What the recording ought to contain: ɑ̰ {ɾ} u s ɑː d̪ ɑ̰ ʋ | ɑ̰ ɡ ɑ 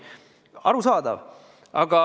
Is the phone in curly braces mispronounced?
no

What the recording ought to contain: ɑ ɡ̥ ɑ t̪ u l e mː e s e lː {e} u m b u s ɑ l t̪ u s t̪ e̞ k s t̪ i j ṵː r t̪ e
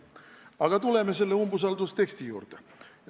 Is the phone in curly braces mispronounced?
no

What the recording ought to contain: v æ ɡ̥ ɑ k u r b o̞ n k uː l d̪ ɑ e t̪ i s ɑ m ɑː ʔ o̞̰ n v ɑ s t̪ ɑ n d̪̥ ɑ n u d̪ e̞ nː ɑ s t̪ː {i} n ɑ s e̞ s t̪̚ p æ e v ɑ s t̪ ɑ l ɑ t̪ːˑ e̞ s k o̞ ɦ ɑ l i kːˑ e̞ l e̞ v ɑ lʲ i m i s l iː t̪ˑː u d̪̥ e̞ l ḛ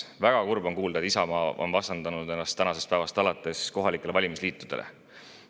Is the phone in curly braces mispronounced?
yes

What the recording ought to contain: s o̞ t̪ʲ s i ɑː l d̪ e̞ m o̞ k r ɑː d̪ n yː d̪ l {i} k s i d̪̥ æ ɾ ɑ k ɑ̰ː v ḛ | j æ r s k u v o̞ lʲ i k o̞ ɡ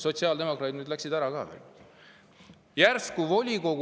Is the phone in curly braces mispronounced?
yes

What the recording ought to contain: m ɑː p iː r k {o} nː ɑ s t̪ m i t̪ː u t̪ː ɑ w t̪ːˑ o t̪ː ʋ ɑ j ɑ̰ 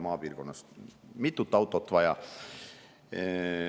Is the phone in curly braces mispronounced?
no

